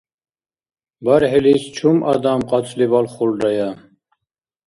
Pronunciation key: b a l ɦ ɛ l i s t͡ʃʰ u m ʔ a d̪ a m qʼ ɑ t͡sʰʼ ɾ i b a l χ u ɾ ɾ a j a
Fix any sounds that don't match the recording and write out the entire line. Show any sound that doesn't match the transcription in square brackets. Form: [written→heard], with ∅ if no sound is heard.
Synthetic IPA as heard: b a [l→ɾ] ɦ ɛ l i s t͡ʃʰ u m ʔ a d̪ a m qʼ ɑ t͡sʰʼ [ɾ→l] i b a l χ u [ɾ→l] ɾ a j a